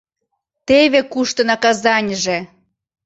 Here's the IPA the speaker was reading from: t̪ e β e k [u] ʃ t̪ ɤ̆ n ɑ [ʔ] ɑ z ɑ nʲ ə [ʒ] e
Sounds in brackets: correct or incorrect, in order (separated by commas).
correct, incorrect, correct